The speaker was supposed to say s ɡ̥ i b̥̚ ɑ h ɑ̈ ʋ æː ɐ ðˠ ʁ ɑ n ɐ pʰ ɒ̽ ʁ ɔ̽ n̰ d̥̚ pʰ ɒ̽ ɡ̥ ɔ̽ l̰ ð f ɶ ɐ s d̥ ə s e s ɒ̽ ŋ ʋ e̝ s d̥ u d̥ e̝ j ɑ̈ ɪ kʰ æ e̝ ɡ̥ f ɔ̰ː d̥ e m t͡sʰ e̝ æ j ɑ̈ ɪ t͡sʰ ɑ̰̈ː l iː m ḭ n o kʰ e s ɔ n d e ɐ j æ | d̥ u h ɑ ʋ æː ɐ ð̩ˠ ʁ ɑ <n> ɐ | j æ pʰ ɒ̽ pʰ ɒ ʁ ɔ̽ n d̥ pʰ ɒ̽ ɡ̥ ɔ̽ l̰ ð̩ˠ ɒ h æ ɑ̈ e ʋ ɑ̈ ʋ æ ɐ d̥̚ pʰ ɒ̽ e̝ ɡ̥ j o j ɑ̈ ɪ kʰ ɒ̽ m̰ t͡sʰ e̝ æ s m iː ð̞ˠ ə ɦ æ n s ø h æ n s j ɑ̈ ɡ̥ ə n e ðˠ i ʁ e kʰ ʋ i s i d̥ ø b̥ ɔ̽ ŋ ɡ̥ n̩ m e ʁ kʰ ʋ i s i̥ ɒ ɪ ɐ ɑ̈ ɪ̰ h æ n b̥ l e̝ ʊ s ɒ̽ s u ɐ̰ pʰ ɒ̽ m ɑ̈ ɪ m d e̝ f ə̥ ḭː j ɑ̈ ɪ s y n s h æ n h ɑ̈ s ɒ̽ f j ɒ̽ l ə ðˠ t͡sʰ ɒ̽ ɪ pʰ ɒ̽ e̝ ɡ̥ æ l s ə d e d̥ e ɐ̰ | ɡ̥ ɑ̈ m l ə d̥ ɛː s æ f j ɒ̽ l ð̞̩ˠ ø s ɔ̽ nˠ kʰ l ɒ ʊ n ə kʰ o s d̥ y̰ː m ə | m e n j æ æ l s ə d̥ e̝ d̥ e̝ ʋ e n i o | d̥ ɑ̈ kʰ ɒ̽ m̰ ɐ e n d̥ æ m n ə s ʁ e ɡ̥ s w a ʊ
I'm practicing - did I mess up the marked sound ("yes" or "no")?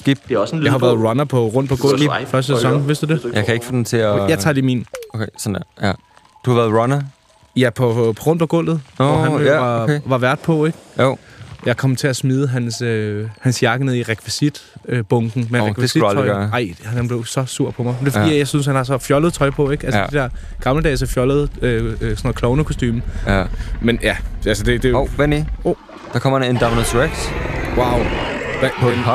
no